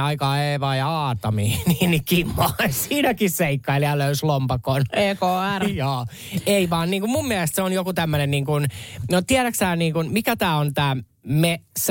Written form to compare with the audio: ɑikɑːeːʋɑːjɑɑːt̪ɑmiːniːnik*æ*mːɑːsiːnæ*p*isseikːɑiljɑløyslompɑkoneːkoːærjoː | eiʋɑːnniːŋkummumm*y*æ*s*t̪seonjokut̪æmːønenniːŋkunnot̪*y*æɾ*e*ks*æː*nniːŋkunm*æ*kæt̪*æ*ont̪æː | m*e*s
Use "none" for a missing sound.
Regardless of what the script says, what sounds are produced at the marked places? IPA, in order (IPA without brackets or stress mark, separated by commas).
i, k, i, s, i, æ, æː, i, æː, e